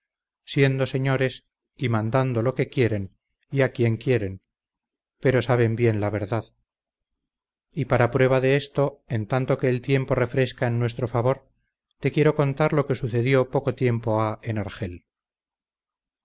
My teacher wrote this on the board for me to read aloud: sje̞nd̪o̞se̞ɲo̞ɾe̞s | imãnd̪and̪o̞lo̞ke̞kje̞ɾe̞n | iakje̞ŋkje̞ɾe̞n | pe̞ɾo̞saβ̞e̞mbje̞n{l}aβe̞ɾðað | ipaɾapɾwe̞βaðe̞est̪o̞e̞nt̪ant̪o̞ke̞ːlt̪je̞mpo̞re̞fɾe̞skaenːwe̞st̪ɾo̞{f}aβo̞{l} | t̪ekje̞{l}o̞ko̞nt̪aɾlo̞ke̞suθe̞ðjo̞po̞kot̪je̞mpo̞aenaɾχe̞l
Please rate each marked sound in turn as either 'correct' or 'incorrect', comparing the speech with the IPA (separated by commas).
correct, correct, incorrect, incorrect